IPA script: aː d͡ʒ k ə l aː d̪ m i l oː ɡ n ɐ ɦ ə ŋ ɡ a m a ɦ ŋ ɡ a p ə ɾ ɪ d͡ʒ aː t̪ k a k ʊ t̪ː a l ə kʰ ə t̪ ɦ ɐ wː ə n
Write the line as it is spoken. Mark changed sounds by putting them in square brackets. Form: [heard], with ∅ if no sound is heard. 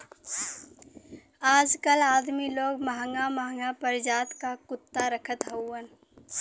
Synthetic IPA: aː d͡ʒ k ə l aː d̪ m i l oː ɡ [m] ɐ ɦ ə ŋ ɡ a m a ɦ ŋ ɡ a p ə ɾ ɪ d͡ʒ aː t̪ k a k ʊ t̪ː a [ɾ] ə kʰ ə t̪ ɦ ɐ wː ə n